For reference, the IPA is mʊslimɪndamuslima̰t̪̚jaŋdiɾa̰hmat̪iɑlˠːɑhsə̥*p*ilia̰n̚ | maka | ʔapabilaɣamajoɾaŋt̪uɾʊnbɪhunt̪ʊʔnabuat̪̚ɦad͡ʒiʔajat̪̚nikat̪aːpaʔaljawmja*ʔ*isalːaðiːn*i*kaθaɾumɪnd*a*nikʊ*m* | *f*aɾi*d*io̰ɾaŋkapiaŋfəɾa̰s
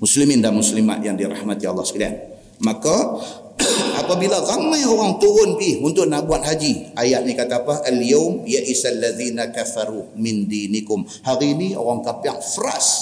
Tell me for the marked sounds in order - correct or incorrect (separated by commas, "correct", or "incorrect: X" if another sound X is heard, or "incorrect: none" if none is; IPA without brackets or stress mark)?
incorrect: k, correct, incorrect: a, incorrect: i, correct, incorrect: h, incorrect: n